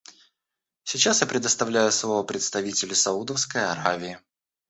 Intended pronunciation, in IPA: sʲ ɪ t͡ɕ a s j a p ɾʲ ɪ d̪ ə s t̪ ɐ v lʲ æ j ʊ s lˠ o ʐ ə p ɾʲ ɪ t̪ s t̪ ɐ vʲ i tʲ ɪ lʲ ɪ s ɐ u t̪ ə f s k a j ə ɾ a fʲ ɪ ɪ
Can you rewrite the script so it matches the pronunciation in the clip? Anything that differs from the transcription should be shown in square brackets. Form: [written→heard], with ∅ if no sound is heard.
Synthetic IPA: sʲ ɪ t͡ɕ a s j a p ɾʲ ɪ d̪ ə s t̪ ɐ v lʲ æ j ʊ s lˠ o [ʐ→v] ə p ɾʲ ɪ t̪ s t̪ ɐ vʲ i tʲ ɪ lʲ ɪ s ɐ u [t̪→d̪] ə f s k [a→ə] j [ə→ɐ] ɾ a [fʲ→vʲ] ɪ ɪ